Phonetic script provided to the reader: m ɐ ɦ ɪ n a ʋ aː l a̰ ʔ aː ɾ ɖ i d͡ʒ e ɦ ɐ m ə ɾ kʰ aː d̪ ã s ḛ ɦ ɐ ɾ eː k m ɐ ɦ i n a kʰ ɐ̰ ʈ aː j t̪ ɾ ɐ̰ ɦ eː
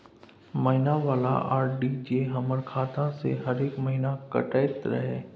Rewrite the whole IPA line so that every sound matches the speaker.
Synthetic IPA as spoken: m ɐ ɦ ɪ n a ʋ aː l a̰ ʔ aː ɾ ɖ i d͡ʒ e ɦ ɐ m ə ɾ kʰ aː t̪ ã s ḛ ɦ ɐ ɾ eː k m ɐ ɦ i n a k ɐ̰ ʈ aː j t̪ ɾ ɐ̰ ɦ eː